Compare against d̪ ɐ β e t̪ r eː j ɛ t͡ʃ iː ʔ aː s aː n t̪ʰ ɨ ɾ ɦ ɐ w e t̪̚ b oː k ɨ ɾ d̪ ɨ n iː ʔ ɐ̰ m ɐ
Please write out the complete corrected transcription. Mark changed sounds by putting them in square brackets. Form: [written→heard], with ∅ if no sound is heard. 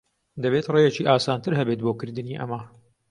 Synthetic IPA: d̪ ɐ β e t̪ r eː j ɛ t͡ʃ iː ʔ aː s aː n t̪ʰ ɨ ɾ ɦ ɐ [w→b] e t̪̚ b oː k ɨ ɾ d̪ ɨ n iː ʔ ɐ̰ m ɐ

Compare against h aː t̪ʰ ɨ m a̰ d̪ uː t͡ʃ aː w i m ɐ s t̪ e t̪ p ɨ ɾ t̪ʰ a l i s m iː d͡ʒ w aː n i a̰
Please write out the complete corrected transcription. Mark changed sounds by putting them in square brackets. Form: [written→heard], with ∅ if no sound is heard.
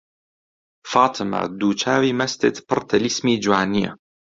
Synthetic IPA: [h→f] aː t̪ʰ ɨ m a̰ d̪ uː t͡ʃ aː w i m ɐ s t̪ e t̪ p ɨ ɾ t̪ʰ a l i s m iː d͡ʒ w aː n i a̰

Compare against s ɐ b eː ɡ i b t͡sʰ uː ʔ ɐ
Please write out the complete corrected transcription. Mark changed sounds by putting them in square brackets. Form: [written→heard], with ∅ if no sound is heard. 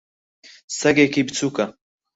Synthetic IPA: s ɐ [b→ɡ] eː [ɡ→k] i b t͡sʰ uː [ʔ→k] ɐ

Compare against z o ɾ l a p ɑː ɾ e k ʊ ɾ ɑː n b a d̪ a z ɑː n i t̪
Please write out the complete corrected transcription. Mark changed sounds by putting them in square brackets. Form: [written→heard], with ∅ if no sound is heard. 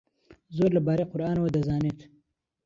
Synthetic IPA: z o ɾ l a [p→b] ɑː ɾ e [k→q] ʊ ɾ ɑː n [b→w] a d̪ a z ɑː n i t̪

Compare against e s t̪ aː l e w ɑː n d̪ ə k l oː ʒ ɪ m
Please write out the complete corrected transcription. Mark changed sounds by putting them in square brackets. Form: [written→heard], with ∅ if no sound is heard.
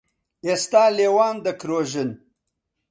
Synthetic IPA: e s t̪ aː l e w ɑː n d̪ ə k [l→ɾ] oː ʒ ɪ [m→n]

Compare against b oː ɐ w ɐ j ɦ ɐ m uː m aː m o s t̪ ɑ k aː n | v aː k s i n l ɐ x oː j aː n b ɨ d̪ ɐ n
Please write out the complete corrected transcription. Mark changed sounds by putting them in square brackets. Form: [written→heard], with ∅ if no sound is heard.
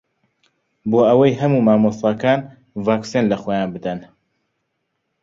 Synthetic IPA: b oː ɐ w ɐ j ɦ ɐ m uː m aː m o s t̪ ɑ k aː n | v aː k s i n l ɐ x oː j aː n b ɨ d̪ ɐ n

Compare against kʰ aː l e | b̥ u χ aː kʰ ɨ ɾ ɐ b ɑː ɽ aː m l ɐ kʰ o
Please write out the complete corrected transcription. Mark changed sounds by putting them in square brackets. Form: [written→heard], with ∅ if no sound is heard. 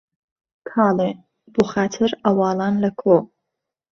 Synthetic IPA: kʰ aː l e | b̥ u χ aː [kʰ→tʰ] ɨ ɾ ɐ [b→w] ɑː [ɽ→l] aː [m→n] l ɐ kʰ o

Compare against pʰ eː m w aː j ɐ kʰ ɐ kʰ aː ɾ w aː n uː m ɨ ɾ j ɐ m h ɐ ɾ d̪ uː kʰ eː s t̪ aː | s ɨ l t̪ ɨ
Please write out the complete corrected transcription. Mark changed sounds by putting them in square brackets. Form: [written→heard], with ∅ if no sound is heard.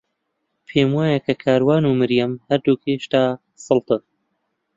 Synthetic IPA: pʰ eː m w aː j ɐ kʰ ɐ kʰ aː ɾ w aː n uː m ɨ ɾ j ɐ m h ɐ ɾ d̪ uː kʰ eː [s→ʃ] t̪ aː | s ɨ l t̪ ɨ

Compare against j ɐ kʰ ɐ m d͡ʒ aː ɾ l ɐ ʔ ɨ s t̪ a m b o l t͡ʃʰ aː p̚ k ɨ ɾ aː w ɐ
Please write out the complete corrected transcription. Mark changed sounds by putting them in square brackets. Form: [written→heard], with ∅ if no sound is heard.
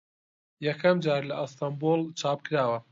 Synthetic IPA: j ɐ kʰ ɐ m d͡ʒ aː ɾ l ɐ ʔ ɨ s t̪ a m b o l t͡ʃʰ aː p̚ k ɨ ɾ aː w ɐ

